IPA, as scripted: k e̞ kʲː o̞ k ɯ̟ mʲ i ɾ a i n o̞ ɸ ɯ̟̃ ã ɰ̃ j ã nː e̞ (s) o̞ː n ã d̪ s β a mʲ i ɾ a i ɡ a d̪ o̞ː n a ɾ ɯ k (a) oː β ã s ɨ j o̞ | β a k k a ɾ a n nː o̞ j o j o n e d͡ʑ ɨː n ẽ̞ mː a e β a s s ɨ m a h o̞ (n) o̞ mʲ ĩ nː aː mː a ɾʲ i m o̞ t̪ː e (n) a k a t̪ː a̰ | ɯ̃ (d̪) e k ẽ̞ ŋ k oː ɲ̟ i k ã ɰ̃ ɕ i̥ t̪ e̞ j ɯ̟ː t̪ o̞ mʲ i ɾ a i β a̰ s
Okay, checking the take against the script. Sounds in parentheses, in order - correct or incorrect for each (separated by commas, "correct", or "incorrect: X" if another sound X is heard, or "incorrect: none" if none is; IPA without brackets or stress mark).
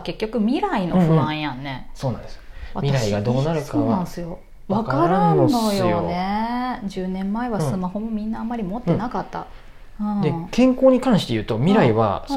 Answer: correct, correct, incorrect: m, correct, correct